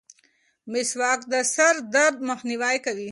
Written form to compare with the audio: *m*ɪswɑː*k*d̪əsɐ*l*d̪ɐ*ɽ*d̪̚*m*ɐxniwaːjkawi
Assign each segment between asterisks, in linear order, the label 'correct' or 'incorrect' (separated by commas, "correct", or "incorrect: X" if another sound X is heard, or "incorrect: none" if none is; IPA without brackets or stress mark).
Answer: correct, correct, incorrect: ɾ, incorrect: ɾ, correct